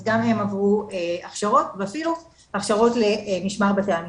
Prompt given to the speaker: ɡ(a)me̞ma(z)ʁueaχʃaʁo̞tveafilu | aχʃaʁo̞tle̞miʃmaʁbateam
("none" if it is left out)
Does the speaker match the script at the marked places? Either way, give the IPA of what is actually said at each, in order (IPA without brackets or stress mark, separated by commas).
a, v